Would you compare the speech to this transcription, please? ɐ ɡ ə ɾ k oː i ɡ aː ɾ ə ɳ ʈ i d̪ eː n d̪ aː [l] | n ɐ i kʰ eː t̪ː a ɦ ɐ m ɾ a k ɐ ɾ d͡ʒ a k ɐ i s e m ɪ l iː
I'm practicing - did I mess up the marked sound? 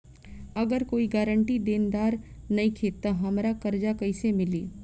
yes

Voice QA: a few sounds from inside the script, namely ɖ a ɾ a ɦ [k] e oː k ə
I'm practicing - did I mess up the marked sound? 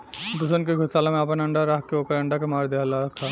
no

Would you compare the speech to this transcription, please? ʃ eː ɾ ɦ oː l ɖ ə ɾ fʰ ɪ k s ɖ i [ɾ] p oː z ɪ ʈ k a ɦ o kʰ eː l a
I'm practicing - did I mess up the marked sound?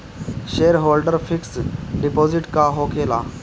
yes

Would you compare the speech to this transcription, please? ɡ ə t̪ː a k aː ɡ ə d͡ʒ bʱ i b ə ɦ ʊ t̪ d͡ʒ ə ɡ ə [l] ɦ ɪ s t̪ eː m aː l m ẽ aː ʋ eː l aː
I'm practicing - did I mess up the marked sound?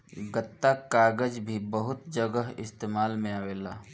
yes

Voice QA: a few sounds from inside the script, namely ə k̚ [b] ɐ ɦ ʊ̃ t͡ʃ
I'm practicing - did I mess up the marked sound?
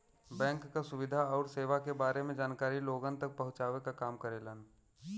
yes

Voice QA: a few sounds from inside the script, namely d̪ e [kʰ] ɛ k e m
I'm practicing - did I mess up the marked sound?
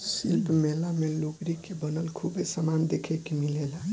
no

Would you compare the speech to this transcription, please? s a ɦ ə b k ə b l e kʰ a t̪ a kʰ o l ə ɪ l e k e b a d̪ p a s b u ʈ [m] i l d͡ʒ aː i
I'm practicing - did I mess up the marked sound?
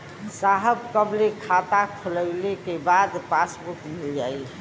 no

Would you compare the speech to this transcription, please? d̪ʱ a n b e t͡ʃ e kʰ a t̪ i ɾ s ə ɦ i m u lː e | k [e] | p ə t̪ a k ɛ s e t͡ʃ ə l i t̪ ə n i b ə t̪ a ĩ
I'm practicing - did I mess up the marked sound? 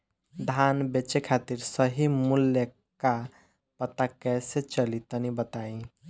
yes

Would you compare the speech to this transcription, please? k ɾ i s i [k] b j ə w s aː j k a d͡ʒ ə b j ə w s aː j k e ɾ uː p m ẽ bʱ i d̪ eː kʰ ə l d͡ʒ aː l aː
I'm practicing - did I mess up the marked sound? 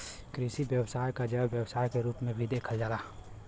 yes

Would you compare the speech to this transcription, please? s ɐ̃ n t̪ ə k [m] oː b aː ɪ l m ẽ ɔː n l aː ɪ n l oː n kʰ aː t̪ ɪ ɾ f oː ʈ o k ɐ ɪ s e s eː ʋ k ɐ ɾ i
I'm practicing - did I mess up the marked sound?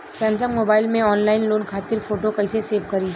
no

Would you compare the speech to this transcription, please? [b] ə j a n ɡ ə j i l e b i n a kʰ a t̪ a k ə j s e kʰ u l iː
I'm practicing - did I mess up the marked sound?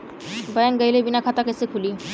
no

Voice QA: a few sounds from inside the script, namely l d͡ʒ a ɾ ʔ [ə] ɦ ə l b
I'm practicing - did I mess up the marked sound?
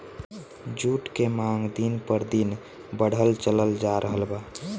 no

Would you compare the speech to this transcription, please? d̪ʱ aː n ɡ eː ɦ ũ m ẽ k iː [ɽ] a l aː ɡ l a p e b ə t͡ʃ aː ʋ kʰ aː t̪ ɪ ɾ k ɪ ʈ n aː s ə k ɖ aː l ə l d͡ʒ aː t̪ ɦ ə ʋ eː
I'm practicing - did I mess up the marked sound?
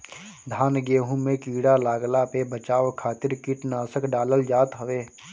no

